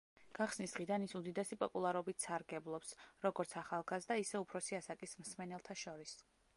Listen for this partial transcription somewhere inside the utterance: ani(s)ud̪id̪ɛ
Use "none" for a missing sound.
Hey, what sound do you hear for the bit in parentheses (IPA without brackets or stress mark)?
s